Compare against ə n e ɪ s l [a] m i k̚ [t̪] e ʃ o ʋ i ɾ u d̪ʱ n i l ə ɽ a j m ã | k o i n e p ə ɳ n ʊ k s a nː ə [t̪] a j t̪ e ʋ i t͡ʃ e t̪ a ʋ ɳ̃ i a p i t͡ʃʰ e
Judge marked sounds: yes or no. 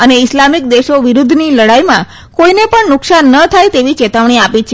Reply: yes, no, no

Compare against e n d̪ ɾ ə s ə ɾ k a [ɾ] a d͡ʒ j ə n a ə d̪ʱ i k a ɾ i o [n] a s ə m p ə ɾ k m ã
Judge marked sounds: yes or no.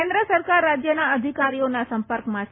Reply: no, yes

